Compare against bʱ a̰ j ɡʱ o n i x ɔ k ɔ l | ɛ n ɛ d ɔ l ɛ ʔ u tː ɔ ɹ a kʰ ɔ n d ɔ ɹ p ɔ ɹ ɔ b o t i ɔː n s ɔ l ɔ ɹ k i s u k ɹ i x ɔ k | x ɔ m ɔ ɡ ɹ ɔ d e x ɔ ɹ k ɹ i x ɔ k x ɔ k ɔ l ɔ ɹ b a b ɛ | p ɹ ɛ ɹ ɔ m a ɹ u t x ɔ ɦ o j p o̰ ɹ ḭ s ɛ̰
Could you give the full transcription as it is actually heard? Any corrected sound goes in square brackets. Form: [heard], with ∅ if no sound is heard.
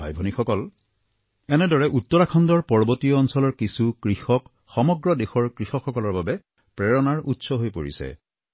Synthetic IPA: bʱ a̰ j [bʱ] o n i x ɔ k ɔ l | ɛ n ɛ d ɔ [ɹ] ɛ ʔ u tː ɔ ɹ a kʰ ɔ n d ɔ ɹ p ɔ ɹ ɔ b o t i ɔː n s ɔ l ɔ ɹ k i s u k ɹ i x ɔ k | x ɔ m ɔ ɡ ɹ ɔ d e x ɔ ɹ k ɹ i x ɔ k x ɔ k ɔ l ɔ ɹ b a b ɛ | p ɹ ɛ ɹ ɔ [n] a ɹ u t [s] ɔ ɦ o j p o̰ ɹ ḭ s ɛ̰